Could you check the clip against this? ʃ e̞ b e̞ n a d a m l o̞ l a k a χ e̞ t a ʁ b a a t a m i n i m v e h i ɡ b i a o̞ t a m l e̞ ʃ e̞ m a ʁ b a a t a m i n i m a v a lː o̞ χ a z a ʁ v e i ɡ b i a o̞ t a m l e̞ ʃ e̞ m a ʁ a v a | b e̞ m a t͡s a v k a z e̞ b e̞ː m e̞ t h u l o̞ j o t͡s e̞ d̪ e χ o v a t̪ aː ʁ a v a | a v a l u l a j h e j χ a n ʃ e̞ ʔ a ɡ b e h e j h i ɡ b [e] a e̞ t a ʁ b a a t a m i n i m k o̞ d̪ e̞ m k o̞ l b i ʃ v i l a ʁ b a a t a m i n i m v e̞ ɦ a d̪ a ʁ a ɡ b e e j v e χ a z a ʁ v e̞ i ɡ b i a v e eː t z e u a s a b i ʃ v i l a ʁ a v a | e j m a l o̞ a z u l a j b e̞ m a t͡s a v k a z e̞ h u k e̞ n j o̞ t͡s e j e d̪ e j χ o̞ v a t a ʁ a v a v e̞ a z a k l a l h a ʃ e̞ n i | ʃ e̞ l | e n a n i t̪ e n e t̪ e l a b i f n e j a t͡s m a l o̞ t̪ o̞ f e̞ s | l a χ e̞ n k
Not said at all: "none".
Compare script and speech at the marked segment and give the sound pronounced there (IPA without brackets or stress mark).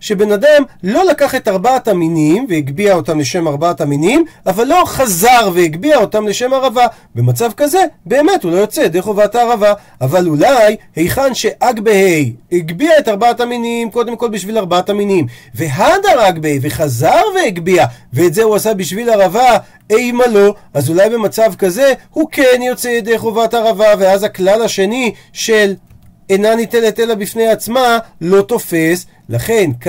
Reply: i